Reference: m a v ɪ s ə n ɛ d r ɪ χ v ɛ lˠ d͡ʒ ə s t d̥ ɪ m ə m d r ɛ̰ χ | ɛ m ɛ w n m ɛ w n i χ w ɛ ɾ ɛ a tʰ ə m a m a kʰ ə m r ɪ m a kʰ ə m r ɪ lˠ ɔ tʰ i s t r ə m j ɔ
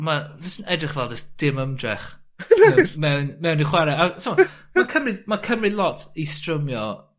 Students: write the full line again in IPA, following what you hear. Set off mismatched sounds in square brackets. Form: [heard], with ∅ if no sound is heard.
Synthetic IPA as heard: m a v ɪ s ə n ɛ d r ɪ χ v ɛ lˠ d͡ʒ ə s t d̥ ɪ m ə m d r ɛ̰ χ | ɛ m ɛ w n m ɛ w n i χ w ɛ ɾ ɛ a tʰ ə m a m a kʰ ə m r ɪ m a kʰ ə m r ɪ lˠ ɔ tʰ i s t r ə m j ɔ